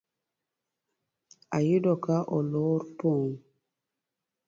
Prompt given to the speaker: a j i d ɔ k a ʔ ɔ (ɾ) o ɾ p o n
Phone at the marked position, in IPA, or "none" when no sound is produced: l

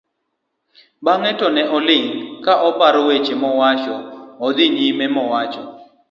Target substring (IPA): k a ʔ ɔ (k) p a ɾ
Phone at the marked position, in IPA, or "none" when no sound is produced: none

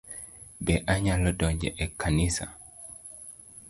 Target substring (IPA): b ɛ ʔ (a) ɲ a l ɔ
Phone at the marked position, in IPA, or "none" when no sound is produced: a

